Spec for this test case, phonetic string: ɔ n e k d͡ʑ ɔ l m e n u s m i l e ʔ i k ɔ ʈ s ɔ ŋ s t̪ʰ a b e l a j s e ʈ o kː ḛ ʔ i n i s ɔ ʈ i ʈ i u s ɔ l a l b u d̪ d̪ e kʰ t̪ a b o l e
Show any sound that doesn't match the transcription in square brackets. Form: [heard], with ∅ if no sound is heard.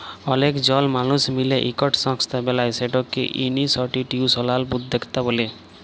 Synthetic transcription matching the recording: ɔ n e k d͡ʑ ɔ l m [a] n u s m i l e ʔ i k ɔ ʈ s ɔ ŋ s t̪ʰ a b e l a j s e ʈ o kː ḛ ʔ i n i s ɔ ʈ i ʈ i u s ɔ l a l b u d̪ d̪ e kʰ t̪ a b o l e